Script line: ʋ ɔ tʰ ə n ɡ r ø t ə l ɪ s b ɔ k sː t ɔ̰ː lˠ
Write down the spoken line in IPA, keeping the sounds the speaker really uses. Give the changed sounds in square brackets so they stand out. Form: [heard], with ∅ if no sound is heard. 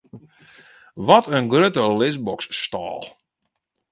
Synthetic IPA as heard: ʋ ɔ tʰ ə n ɡ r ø t ə l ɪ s b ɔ k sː t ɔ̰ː lˠ